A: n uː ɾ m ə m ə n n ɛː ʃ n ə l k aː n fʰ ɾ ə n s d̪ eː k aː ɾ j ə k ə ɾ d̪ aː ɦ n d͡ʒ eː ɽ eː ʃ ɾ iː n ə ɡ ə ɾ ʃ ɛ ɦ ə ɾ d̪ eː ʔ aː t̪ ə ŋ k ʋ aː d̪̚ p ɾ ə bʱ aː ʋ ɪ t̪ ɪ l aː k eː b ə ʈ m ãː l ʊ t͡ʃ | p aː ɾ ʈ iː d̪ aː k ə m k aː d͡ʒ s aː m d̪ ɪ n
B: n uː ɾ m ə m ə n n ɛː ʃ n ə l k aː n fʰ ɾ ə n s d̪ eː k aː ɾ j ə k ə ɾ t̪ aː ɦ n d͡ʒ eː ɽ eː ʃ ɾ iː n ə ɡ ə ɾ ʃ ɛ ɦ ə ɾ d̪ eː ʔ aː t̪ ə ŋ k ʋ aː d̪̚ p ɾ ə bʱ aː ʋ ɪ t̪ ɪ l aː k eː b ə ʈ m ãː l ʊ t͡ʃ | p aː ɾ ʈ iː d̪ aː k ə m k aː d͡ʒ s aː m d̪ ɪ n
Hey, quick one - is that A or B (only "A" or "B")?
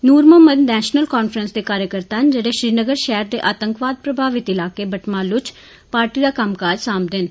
B